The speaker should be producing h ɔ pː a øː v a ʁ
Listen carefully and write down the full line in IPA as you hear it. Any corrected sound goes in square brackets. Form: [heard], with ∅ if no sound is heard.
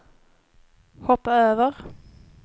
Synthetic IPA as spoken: h ɔ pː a øː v [ə] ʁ